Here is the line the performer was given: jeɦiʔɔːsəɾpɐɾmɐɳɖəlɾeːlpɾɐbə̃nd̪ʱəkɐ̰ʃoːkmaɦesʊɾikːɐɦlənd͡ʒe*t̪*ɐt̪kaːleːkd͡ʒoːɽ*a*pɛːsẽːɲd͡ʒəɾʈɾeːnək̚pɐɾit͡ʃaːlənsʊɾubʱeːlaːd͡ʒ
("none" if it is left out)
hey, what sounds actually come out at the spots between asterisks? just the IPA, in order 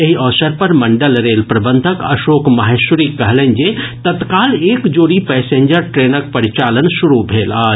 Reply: t̪, i

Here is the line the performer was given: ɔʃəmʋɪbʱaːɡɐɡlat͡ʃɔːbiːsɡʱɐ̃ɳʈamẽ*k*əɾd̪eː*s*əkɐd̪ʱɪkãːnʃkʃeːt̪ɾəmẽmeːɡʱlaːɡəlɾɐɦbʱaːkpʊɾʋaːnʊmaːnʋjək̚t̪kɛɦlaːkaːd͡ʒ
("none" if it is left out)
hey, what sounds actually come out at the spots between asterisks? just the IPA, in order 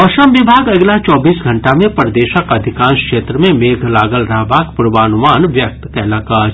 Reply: p, ʃ

